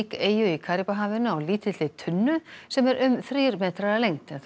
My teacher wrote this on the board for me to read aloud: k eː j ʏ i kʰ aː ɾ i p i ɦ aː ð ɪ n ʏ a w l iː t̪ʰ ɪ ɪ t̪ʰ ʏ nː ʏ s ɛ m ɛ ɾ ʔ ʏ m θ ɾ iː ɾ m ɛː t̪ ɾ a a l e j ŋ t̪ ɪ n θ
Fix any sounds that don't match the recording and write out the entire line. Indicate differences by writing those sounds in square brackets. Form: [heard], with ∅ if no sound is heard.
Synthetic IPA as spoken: k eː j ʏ i kʰ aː ɾ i p [a] ɦ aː [v] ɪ n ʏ a w l iː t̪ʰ ɪ ɪ t̪ʰ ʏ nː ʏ s ɛ m ɛ ɾ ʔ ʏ m θ ɾ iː ɾ m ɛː t̪ ɾ a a l e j ŋ t̪ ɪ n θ